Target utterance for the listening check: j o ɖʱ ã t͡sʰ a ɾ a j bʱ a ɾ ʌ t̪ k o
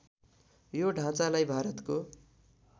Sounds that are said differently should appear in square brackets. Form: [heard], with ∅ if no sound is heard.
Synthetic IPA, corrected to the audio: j o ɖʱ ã [t͡s] a [l] a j bʱ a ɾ ʌ t̪ k o